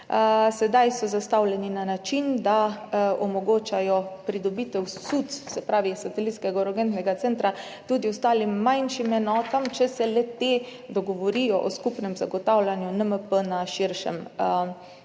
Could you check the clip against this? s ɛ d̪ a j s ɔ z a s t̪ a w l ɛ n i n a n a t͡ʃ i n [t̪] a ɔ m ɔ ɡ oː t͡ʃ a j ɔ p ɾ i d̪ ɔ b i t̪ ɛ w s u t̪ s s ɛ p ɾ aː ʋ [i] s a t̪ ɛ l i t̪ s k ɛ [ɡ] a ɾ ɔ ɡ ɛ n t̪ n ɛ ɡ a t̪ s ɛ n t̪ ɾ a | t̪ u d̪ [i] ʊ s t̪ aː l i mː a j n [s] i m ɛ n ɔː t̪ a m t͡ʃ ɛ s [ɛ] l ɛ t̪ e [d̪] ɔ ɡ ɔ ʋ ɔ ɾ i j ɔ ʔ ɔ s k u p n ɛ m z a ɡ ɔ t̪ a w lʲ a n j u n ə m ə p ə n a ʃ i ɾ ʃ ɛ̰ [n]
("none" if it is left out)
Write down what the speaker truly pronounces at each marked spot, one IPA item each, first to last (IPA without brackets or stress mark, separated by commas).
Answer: d̪, i, ɡ, i, ʃ, ɛ, d̪, m